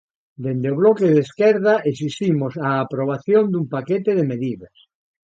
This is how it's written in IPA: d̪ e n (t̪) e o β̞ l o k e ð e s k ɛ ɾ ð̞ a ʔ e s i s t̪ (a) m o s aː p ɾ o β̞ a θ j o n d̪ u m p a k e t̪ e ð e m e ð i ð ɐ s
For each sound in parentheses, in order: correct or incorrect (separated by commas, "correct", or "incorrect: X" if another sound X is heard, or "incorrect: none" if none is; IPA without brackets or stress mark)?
incorrect: d̪, incorrect: i